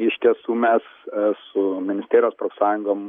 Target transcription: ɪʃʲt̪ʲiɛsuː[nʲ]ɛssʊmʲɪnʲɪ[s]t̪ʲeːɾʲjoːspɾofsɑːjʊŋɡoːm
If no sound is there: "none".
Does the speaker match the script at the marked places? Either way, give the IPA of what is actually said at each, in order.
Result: mʲ, s

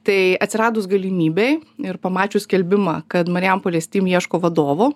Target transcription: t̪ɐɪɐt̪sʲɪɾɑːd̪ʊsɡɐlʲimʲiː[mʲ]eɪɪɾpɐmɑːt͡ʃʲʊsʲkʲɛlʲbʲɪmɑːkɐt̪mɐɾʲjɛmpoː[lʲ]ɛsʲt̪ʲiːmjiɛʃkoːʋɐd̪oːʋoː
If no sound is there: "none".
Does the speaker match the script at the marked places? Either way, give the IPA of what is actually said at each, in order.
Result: bʲ, lʲ

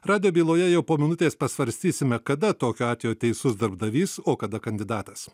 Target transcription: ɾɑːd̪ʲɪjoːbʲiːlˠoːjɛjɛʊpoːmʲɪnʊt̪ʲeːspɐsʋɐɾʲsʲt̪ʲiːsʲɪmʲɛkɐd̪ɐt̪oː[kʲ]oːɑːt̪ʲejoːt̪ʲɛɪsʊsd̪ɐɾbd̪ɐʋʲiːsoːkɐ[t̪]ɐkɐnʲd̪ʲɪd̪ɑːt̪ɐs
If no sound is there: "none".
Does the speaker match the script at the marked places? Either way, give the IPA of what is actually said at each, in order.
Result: kʲ, d̪

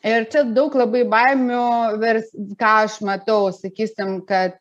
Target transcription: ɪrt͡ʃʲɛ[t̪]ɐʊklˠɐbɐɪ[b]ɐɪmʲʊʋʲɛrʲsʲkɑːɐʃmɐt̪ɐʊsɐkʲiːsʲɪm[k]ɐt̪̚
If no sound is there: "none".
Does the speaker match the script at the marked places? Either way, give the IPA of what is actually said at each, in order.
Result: d̪, b, k

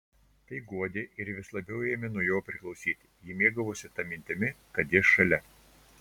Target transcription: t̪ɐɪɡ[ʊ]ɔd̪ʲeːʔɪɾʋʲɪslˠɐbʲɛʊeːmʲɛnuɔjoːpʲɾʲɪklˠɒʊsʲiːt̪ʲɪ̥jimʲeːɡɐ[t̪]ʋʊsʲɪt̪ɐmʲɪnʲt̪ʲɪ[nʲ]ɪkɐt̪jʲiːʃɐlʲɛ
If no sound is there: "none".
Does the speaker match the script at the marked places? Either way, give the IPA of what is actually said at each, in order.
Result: u, none, mʲ

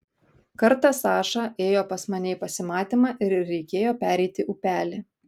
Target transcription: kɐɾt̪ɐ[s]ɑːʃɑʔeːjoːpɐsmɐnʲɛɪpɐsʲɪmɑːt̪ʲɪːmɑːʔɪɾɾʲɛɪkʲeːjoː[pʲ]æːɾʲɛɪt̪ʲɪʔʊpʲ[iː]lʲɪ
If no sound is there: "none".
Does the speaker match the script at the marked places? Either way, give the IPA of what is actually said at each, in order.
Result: s, pʲ, æː

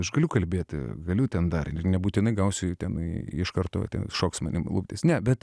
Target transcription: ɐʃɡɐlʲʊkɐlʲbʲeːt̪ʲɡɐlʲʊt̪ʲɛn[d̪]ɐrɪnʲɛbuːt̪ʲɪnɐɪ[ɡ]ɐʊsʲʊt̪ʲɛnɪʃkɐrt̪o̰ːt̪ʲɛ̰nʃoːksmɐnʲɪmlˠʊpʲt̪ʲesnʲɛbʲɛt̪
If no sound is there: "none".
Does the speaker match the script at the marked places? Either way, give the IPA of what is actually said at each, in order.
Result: d̪, ɡ

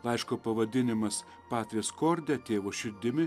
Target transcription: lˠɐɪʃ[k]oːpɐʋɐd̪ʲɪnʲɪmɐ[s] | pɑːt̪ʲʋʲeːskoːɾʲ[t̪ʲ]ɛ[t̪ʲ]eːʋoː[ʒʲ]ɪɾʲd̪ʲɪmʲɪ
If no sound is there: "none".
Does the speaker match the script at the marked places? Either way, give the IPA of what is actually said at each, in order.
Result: k, s, d̪ʲ, t̪ʲ, ʃʲ

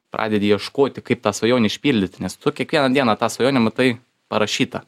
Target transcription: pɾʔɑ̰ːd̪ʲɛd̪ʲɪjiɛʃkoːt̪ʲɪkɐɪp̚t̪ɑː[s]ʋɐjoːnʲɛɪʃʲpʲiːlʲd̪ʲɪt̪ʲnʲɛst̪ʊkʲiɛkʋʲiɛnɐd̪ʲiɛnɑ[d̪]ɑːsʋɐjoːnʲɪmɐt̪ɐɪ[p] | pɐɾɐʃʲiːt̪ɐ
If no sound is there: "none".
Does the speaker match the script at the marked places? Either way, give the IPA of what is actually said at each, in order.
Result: s, t̪, none

